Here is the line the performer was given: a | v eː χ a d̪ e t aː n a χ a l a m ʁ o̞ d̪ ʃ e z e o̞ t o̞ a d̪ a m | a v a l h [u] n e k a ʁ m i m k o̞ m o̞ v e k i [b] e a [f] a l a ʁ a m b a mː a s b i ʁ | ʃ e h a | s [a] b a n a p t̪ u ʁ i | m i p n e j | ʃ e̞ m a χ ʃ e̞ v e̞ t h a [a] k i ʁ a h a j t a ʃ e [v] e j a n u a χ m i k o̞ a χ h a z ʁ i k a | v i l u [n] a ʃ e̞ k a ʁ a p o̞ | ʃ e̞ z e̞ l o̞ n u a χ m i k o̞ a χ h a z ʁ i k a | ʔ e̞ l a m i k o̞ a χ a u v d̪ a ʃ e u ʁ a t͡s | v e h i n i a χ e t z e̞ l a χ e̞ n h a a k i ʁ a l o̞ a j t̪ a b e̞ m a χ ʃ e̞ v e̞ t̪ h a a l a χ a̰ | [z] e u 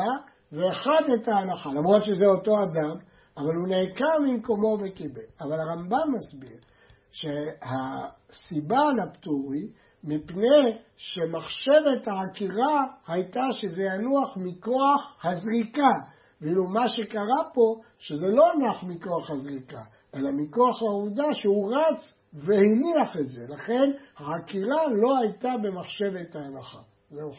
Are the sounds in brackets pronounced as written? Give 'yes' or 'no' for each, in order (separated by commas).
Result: yes, yes, no, no, yes, no, no, yes